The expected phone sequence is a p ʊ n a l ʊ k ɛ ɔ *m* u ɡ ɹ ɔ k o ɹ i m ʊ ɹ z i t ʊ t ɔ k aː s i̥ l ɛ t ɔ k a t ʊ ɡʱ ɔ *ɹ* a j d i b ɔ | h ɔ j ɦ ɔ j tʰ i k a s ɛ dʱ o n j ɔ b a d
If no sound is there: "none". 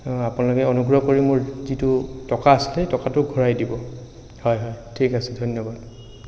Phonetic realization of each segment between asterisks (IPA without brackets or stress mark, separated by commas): n, ɹ